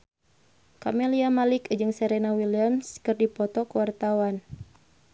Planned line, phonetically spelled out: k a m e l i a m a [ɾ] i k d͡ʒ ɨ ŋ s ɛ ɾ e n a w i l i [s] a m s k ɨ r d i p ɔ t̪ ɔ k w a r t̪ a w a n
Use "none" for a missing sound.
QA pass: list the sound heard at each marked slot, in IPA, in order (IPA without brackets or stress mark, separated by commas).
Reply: l, none